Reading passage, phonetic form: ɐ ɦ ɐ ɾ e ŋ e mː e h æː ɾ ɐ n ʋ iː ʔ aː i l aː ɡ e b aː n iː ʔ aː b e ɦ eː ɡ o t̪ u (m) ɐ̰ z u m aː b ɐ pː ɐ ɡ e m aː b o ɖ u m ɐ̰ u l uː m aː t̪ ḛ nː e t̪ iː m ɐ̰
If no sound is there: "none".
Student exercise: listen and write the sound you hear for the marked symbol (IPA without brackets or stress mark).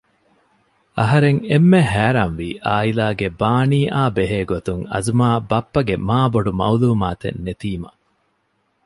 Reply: ŋ